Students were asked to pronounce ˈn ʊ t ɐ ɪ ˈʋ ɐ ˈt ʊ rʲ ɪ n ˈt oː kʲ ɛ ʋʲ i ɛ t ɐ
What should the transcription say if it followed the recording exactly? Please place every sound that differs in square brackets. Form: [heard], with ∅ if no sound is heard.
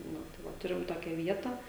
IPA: ˈn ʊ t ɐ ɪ ˈʋ ɐ ˈt ʊ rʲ ɪ [m] ˈt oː kʲ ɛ ʋʲ i ɛ t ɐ

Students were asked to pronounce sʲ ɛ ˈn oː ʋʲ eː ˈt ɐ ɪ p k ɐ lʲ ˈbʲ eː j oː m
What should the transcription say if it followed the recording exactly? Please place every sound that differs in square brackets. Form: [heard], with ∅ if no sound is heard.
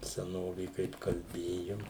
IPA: sʲ ɛ ˈn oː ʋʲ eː [ˈk] ɐ ɪ p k ɐ lʲ ˈbʲ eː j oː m

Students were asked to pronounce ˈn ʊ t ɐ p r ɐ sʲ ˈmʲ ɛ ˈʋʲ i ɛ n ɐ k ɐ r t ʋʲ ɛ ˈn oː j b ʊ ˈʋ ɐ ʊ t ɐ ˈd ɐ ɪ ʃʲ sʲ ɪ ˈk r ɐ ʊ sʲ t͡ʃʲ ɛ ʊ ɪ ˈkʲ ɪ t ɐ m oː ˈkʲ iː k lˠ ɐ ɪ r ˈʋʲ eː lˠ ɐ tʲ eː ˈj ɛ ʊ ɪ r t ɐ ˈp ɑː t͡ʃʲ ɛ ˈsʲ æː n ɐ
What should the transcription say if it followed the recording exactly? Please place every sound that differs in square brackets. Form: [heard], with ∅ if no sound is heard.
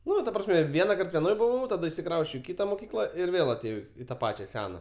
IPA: ˈn ʊ t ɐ p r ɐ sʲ ˈmʲ ɛ ˈʋʲ i ɛ n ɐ k ɐ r t ʋʲ ɛ ˈn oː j b ʊ ˈʋ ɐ ʊ t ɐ ˈd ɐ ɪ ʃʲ sʲ ɪ ˈk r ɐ ʊ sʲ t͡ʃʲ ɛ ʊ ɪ ˈkʲ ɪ t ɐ m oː ˈkʲ iː k lˠ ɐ ɪ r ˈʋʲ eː lˠ ɐ tʲ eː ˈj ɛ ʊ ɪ [∅] t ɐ ˈp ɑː t͡ʃʲ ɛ ˈsʲ æː n ɐ

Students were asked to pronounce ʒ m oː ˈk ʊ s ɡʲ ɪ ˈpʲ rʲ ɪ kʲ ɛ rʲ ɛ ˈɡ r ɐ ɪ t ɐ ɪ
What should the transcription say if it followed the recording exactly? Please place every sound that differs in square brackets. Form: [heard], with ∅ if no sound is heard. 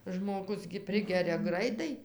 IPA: ʒ m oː [ˈɡ] ʊ s ɡʲ ɪ ˈpʲ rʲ ɪ [ɡʲ] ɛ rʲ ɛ ˈɡ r ɐ ɪ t ɐ ɪ

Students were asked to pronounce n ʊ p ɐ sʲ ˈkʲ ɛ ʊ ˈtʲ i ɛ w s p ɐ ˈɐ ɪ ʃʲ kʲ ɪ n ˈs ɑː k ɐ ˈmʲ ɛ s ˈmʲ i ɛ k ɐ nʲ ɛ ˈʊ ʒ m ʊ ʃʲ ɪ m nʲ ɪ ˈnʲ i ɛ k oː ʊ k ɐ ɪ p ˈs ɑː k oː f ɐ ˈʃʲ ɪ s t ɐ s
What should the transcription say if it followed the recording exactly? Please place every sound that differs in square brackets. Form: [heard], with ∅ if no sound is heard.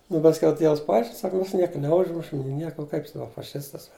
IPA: n ʊ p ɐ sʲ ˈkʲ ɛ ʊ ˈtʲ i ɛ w s p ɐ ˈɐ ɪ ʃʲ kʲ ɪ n ˈs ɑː k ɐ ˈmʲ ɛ s [ˈnʲ] i ɛ k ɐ nʲ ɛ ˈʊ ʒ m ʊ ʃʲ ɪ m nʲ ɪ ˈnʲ i ɛ k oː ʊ k ɐ ɪ p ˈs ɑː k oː f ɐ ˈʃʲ ɪ s t ɐ s

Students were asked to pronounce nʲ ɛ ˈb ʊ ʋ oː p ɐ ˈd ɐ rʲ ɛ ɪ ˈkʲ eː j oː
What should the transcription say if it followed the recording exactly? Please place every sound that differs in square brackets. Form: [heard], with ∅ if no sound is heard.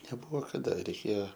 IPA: nʲ ɛ ˈb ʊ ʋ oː [k] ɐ ˈd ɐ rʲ ɛ ɪ ˈkʲ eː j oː

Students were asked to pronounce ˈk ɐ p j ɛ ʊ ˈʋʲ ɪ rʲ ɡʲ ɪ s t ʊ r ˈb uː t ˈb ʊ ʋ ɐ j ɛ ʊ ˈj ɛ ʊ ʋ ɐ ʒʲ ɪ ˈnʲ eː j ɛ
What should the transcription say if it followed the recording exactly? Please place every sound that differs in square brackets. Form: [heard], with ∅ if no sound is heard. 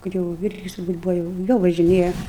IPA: ˈk ɐ [t] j ɛ ʊ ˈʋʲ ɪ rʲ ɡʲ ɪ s t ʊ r ˈb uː t ˈb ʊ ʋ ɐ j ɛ ʊ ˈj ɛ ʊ ʋ ɐ ʒʲ ɪ ˈnʲ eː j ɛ

